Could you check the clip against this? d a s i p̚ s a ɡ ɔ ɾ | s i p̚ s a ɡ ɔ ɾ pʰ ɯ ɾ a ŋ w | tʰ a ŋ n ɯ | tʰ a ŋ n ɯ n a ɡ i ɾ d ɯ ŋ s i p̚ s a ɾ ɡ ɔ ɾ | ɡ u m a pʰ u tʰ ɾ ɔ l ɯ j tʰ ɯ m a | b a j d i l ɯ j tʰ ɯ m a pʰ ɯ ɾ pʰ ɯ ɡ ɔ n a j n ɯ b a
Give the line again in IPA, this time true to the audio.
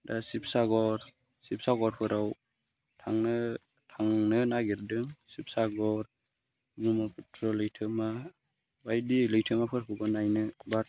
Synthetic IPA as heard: d a s i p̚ s a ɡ ɔ ɾ | s i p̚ s a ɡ ɔ ɾ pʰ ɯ ɾ a w | tʰ a ŋ n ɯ | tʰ a ŋ n ɯ n a ɡ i ɾ d ɯ ŋ s i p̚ s a ɡ ɔ ɾ | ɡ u m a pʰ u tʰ ɾ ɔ l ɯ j tʰ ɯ m a | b a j d i l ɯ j tʰ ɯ m a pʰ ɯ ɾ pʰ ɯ ɡ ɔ n a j n ɯ b a

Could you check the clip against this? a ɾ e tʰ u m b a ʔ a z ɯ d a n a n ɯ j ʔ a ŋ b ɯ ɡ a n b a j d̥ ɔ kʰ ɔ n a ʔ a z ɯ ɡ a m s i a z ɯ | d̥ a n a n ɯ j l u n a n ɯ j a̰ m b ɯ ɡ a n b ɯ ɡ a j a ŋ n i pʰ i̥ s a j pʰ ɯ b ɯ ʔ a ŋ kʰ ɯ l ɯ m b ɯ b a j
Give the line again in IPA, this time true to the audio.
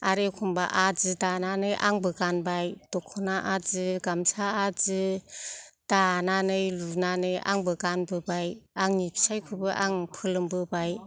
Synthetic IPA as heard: a ɾ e kʰ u m b a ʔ a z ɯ d a n a n ɯ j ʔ a ŋ b ɯ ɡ a n b a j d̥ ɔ kʰ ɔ n a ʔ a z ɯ ɡ a m s a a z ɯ | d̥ a n a n ɯ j l u n a n ɯ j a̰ ŋ b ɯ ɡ a n b ɯ b a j a ŋ n i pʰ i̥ s a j kʰ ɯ b ɯ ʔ a ŋ pʰ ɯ l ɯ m b ɯ b a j

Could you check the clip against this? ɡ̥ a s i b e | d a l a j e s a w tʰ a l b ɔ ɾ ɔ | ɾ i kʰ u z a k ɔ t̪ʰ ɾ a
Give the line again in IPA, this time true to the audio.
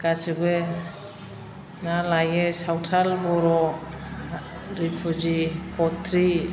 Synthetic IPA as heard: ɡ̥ a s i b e | n a l a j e s a w tʰ a l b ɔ ɾ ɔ | ɾ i pʰ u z i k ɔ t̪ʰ ɾ i

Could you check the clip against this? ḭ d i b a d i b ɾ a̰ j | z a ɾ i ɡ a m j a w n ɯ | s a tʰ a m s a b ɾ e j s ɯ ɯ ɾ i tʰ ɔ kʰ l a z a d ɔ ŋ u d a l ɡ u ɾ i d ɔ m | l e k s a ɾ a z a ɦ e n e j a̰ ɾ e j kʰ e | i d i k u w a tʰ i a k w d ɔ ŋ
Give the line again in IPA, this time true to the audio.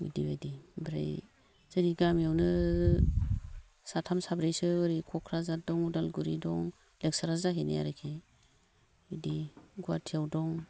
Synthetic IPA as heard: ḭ d i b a d i b ɾ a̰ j | z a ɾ i ɡ a m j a w n ɯ | s a tʰ a m s a b ɾ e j s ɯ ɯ ɾ i kʰ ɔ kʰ ɾ a z a d ɔ ŋ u d a l ɡ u ɾ i d ɔ ŋ | l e k s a ɾ a z a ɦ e n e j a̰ ɾ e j kʰ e | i d i ɡ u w a tʰ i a w d ɔ ŋ

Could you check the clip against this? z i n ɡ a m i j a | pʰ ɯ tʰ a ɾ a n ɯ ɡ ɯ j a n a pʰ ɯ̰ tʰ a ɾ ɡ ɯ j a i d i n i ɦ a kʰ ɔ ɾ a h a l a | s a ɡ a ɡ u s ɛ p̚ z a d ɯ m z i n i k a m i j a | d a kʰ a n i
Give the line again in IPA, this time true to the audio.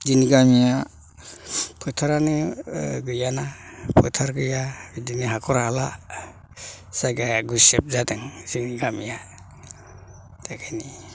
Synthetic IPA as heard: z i n ɡ a m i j a | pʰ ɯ tʰ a ɾ a n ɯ ɡ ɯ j a n a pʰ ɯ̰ tʰ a ɾ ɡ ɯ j a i d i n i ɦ a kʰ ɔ ɾ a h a l a | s a ɡ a ɡ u s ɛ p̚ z a d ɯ ŋ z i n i ɡ a m i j a | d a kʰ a n i

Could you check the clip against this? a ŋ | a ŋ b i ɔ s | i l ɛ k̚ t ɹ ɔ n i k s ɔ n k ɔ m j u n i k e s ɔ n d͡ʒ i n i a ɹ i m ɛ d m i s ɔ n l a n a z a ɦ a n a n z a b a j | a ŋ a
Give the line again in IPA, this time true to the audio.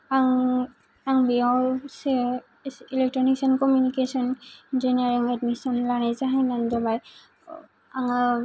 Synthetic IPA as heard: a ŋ | a ŋ b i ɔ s | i l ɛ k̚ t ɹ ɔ n i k s ɔ n k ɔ m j u n i k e s ɔ n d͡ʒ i n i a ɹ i ŋ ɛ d m i s ɔ n l a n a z a ɦ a n a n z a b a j | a ŋ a

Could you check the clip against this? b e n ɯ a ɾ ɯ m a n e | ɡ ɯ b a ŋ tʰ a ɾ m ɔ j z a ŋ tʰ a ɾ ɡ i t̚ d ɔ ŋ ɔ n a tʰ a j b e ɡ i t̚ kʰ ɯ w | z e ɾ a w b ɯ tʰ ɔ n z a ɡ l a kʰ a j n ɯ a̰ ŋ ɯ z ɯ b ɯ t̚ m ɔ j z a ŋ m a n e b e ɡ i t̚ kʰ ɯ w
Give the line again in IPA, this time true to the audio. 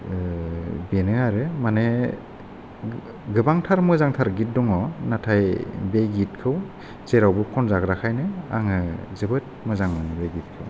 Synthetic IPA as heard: b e n ɯ a ɾ ɯ m a n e | ɡ ɯ b a ŋ tʰ a ɾ m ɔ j z a ŋ tʰ a ɾ ɡ i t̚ d ɔ ŋ ɔ n a tʰ a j b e ɡ i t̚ kʰ ɯ w | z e ɾ a w b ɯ kʰ ɔ n z a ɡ ɾ a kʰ a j n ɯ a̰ ŋ ɯ z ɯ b ɯ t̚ m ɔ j z a ŋ m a n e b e ɡ i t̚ kʰ ɯ w

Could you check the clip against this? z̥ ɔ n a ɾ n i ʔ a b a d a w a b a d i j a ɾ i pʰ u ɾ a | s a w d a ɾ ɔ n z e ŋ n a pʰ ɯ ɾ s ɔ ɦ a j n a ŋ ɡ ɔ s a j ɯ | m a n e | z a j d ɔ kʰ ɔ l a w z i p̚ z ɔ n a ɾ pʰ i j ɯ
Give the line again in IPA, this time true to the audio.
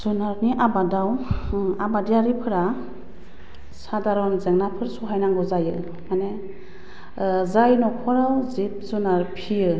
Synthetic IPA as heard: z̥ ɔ n a ɾ n i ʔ a b a d a w a b a d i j a ɾ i pʰ ɯ ɾ a | s a d a ɾ ɔ n z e ŋ n a pʰ ɯ ɾ s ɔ ɦ a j n a ŋ ɡ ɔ z a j ɯ | m a n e | z a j n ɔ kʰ ɔ ɾ a w z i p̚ z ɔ n a ɾ pʰ i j ɯ

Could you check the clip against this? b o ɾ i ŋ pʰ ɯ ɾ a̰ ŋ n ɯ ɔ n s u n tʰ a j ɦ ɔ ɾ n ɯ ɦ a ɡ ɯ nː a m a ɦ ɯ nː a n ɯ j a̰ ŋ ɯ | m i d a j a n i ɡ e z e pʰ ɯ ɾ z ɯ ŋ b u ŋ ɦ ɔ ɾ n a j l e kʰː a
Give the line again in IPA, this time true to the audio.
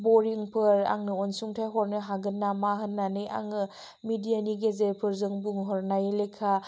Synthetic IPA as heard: b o ɾ i ŋ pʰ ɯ ɾ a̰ ŋ n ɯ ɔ n s u ŋ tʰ a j ɦ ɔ ɾ n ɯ ɦ a ɡ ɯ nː a m a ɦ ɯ nː a n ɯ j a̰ ŋ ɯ | m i d i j a n i ɡ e z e pʰ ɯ ɾ z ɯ ŋ b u ŋ ɦ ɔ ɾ n a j l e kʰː a

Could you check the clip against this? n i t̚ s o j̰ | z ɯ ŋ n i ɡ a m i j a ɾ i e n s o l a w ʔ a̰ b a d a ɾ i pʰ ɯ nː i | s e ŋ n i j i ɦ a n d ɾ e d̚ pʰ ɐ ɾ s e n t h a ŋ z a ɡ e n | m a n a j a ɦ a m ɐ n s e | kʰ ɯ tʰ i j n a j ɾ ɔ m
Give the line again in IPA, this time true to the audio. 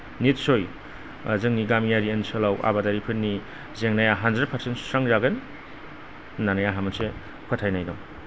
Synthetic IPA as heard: n i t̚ s o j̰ | z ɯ ŋ n i ɡ a m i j a ɾ i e n s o l a w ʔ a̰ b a d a ɾ i pʰ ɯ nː i | z e ŋ n a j a ɦ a n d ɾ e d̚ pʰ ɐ ɾ s e n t s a ŋ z a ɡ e n | n a n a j a ɦ a m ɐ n s e | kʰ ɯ tʰ a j n a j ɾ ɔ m

